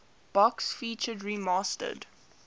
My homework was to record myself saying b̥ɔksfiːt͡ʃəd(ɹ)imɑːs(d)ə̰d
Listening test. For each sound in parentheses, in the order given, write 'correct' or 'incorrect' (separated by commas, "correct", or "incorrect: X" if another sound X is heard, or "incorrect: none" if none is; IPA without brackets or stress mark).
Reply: correct, incorrect: t